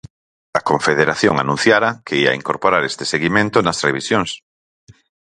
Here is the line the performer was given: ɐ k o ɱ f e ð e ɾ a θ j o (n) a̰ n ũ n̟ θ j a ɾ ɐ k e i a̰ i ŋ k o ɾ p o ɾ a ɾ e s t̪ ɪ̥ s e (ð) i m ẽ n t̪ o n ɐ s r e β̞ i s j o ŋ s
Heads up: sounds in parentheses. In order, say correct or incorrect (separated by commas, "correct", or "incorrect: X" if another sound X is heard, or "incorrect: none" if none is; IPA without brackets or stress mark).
incorrect: ŋ, incorrect: ɣ